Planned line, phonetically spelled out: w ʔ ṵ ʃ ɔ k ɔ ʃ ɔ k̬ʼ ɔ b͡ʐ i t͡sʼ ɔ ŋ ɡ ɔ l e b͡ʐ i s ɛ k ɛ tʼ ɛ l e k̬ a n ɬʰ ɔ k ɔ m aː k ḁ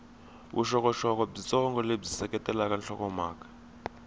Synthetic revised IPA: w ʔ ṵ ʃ ɔ k ɔ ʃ ɔ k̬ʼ ɔ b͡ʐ i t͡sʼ ɔ ŋ ɡ ɔ l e b͡ʐ i s ɛ k ɛ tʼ ɛ l a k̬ a n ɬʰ ɔ k ɔ m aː k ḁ